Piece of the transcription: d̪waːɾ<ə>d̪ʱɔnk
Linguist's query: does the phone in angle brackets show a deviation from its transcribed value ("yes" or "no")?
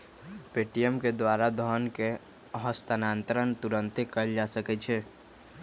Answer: yes